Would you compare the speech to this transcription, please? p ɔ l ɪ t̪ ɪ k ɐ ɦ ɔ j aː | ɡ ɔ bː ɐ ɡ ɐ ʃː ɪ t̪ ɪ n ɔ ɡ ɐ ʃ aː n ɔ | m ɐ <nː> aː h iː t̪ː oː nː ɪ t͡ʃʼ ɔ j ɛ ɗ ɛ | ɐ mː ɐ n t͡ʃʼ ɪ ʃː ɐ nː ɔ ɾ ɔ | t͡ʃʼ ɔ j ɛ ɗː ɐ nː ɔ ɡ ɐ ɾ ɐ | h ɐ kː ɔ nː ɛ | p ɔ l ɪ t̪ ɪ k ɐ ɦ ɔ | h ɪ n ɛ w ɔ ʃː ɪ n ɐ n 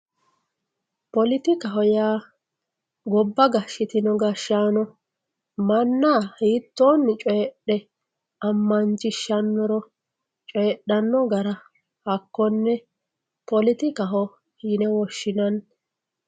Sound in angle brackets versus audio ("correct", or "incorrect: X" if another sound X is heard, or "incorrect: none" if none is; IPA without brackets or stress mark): correct